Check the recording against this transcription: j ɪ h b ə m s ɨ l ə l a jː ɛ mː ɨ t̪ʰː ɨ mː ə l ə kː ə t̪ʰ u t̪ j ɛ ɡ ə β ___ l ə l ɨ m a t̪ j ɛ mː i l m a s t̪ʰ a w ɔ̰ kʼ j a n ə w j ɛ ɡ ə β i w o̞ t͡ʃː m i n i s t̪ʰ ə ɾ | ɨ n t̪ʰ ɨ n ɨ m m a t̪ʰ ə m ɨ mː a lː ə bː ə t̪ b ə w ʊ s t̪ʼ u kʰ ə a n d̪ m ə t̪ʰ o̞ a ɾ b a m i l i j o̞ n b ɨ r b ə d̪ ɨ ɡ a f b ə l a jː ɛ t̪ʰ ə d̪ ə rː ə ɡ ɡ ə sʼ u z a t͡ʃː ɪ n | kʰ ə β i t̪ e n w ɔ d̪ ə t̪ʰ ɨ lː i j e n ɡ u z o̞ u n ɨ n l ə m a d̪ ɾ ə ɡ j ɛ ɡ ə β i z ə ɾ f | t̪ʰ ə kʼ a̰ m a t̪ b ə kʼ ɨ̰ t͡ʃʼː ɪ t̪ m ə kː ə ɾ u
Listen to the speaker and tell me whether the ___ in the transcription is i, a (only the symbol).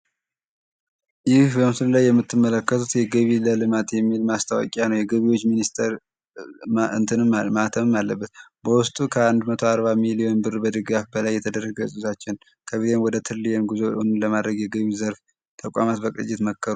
i